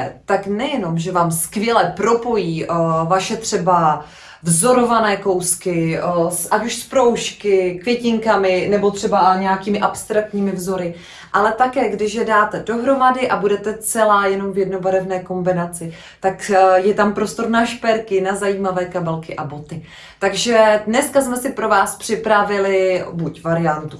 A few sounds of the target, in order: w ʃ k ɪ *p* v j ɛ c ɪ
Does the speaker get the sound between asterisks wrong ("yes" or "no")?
yes